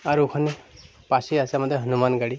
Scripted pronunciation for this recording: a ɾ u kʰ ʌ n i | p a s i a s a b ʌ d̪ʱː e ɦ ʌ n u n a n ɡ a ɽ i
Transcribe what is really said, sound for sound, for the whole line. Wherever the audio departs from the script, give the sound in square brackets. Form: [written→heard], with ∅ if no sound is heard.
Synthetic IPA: a ɾ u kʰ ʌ n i | p a s i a s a [b→m] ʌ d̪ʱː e ɦ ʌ n u [n→m] a n ɡ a ɽ i